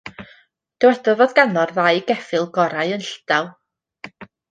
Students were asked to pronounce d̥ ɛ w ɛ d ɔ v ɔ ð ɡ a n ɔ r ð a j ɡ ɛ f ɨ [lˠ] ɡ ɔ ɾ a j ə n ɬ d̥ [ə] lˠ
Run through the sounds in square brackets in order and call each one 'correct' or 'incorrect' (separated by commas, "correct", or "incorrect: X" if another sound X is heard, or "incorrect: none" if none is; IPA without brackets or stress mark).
correct, incorrect: a